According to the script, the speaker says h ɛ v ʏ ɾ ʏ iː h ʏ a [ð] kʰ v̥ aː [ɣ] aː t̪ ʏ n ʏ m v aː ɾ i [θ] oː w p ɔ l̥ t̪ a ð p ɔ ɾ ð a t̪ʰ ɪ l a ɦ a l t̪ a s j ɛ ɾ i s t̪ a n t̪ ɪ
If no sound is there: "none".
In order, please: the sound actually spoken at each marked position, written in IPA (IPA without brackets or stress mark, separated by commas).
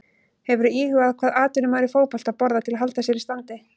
ð, ð, f